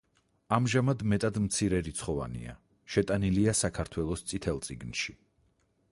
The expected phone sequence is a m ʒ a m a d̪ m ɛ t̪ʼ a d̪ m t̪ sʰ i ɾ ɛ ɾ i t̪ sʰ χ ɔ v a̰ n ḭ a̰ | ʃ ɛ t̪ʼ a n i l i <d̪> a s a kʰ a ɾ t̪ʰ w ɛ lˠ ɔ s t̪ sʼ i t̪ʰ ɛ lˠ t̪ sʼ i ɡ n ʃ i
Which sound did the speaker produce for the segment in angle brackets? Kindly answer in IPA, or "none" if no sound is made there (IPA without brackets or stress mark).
none